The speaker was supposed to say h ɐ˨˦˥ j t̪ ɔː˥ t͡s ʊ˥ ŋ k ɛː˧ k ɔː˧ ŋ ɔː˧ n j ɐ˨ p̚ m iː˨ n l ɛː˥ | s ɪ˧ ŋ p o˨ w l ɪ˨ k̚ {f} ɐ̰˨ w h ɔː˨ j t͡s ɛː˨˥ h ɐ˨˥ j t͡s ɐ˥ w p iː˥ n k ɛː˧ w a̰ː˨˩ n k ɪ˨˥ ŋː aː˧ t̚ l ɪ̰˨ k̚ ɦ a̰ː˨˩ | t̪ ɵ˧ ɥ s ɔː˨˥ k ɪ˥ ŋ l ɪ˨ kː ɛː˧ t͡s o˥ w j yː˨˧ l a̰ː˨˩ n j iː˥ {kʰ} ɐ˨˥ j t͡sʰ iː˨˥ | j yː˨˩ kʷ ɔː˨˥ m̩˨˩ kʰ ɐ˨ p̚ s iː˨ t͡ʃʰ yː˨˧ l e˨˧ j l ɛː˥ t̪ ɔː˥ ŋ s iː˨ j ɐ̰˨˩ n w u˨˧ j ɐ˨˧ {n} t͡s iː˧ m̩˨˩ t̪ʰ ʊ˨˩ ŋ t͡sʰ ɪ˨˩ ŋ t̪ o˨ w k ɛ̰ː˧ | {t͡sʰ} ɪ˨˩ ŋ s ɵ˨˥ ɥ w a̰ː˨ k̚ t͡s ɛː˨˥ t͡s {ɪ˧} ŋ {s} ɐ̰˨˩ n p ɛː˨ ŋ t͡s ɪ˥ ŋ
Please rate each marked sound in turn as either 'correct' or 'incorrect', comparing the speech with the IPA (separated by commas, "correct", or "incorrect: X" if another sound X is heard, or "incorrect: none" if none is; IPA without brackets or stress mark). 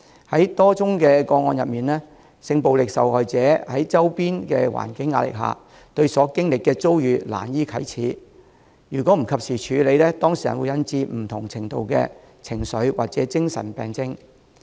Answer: incorrect: s, correct, correct, correct, incorrect: ɪ˥, correct